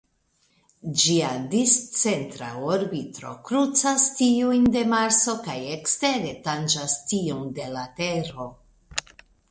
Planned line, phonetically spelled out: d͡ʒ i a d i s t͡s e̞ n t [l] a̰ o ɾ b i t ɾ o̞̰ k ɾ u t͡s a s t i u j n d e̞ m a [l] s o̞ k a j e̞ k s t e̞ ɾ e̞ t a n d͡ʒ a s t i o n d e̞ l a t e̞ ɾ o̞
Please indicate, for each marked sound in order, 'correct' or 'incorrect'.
incorrect: ɾ, incorrect: ɾ

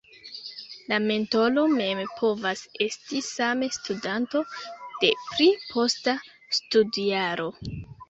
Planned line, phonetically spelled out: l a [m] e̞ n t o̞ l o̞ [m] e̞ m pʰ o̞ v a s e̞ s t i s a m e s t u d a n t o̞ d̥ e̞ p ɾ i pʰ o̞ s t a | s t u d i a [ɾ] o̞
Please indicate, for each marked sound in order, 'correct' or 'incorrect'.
correct, correct, correct

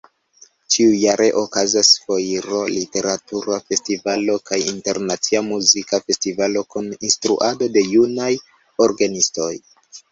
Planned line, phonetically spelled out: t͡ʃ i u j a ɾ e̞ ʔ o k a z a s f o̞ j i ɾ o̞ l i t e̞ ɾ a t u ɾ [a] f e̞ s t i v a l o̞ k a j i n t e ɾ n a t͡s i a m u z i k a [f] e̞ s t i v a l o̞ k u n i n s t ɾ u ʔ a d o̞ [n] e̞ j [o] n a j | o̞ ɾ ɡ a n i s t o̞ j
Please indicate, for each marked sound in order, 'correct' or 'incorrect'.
correct, correct, incorrect: d, incorrect: u

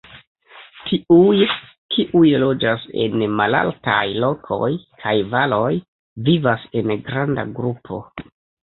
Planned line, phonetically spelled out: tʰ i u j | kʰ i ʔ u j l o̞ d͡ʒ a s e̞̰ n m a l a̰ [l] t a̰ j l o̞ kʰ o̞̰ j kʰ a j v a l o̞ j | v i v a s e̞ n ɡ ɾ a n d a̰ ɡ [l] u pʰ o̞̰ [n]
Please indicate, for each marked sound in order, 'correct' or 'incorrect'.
correct, incorrect: ɾ, incorrect: none

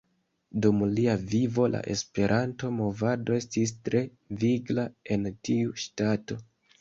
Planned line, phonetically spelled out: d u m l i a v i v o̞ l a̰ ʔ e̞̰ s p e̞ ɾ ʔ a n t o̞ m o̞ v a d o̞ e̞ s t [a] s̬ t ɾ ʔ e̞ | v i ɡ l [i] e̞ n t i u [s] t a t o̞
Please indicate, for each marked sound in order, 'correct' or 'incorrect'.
incorrect: i, incorrect: a, incorrect: ʃ

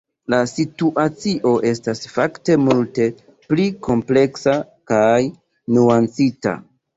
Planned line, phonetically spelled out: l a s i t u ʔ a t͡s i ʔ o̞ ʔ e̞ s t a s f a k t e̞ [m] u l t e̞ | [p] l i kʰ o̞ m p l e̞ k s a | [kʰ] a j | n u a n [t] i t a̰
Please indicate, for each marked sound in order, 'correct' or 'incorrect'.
correct, correct, incorrect: k, incorrect: t͡s

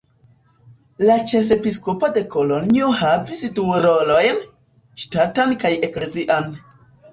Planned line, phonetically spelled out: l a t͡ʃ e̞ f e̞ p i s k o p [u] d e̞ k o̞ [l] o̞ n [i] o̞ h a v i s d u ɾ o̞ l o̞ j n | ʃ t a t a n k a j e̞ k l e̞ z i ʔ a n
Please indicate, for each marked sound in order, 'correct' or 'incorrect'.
incorrect: o, correct, correct

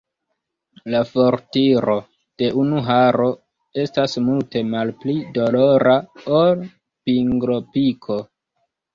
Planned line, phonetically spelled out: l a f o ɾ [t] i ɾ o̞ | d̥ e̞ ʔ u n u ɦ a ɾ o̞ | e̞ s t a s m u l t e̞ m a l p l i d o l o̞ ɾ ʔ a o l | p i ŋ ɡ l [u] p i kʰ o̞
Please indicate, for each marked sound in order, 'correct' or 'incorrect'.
correct, incorrect: o

